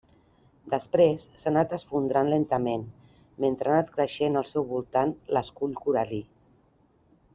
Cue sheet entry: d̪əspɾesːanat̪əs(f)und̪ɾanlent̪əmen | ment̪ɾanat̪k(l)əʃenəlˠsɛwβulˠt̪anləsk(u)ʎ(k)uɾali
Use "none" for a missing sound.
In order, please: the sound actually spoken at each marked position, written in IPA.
f, ɾ, u, k

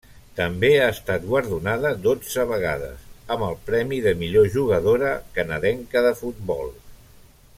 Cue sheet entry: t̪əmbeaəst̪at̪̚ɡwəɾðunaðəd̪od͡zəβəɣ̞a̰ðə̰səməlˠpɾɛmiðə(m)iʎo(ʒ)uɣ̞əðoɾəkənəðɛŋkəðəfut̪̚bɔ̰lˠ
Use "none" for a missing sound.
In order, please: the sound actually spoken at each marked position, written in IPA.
m, ʒ

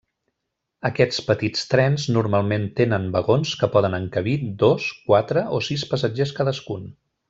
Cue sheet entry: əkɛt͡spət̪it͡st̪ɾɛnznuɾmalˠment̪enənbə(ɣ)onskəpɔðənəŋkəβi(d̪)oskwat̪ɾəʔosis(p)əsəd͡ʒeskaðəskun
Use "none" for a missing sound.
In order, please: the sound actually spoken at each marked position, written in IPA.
ɣ, d̪, p

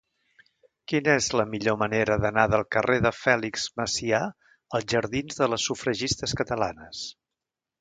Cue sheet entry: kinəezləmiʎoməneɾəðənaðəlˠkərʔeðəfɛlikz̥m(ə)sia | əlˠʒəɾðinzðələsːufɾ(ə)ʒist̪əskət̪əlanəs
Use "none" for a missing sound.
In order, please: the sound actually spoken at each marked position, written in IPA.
ə, ə

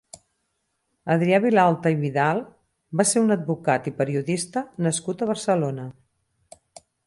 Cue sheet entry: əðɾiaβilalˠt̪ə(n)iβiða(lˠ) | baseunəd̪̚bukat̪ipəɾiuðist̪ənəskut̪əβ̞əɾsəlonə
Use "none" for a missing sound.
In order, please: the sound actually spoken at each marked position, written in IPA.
none, lˠ

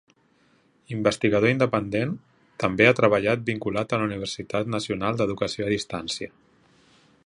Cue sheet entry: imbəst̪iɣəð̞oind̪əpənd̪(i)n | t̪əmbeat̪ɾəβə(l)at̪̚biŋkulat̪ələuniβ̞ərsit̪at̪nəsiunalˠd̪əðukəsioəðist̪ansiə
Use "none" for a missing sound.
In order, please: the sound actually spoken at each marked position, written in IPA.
e, ʎ

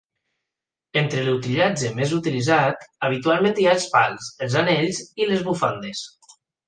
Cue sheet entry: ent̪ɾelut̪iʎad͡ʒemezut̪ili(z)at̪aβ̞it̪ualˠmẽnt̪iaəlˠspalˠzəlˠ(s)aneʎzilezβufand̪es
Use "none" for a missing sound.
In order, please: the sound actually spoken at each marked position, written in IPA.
z, z

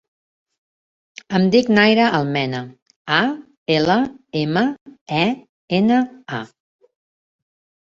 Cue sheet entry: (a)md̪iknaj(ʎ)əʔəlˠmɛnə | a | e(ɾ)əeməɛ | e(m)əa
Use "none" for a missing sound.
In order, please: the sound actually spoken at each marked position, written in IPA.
ə, ɾ, l, n

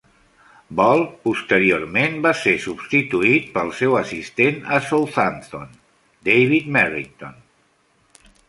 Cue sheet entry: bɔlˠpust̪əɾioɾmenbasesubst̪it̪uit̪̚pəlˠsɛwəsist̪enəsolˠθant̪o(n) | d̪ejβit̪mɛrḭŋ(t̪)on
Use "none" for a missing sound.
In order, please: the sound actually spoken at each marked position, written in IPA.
n, t̪

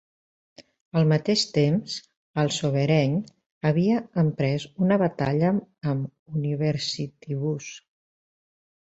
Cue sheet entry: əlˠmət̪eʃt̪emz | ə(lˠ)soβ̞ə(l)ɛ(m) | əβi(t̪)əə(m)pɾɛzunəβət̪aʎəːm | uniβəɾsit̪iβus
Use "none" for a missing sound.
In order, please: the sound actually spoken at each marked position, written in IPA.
lˠ, ɾ, ɲ, none, m

